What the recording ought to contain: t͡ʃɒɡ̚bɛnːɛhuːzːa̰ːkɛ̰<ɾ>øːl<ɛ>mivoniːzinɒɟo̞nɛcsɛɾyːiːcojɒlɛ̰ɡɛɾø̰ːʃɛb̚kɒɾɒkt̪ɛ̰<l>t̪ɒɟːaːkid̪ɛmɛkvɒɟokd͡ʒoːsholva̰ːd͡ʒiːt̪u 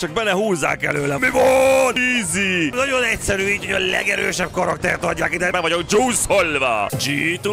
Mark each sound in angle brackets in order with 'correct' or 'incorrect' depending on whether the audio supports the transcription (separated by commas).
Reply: incorrect, correct, incorrect